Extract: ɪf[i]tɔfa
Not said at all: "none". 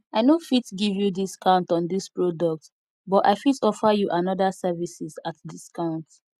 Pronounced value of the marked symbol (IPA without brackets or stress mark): i